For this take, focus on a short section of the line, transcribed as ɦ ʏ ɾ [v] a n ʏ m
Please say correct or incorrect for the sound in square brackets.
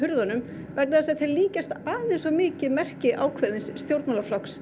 incorrect